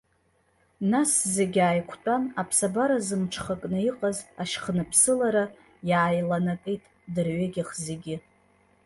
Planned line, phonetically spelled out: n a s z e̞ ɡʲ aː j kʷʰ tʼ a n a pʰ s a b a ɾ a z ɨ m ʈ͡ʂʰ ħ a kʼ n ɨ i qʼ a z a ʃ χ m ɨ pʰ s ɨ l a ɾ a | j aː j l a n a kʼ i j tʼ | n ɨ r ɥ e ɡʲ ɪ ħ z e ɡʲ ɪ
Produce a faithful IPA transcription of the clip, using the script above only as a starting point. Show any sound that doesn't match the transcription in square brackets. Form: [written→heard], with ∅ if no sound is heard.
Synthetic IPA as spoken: n a s z e̞ ɡʲ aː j kʷʰ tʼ a n a pʰ s a b a ɾ a z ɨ m ʈ͡ʂʰ [ħ→χ] a kʼ n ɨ i qʼ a z a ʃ χ [m→n] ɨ pʰ s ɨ l a ɾ a | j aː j l a n a kʼ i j tʼ | [n→d] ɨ r ɥ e ɡʲ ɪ [ħ→χ] z e ɡʲ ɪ